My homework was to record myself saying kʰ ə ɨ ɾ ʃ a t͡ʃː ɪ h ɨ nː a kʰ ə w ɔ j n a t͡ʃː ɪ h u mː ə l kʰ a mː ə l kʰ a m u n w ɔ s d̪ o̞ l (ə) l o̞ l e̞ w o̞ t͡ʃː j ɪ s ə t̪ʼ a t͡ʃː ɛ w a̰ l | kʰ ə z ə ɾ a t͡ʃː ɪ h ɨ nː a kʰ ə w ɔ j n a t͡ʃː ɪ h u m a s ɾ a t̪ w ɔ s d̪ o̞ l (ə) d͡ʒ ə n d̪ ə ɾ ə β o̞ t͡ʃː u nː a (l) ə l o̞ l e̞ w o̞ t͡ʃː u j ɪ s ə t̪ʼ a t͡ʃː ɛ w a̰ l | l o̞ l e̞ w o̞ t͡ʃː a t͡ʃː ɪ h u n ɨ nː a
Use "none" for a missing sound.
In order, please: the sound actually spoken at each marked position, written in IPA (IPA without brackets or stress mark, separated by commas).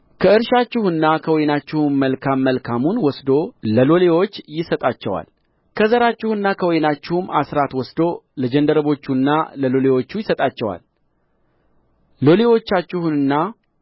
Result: ə, ə, l